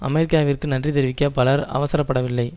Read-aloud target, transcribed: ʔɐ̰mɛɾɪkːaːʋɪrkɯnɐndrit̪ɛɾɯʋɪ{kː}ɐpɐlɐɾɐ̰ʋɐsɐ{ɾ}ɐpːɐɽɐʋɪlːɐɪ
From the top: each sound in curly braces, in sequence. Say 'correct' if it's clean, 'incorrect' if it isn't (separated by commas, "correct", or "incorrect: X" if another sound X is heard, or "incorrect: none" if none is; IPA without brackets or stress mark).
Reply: correct, correct